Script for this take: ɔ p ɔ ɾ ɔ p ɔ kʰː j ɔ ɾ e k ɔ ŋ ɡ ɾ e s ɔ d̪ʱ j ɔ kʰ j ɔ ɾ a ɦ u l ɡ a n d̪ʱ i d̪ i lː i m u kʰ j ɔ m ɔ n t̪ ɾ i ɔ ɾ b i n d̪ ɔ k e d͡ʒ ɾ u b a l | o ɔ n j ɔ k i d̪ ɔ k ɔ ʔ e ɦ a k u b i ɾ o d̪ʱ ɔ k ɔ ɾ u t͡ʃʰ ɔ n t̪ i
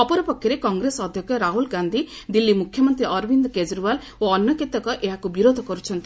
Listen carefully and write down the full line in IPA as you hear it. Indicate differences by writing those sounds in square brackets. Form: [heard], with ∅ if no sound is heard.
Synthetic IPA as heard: ɔ p ɔ ɾ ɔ p ɔ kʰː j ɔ ɾ e k ɔ ŋ ɡ ɾ e s ɔ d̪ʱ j ɔ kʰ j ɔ ɾ a ɦ u l ɡ a n d̪ʱ i d̪ i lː i m u kʰ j ɔ m ɔ n t̪ ɾ i ɔ ɾ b i n d̪ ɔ k e d͡ʒ ɾ u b a l | o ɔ n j ɔ k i [t̪] ɔ k ɔ ʔ e ɦ a k u b i ɾ o d̪ʱ ɔ k ɔ ɾ u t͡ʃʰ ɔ n t̪ i